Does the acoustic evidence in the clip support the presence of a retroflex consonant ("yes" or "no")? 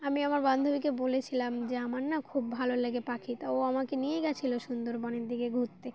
no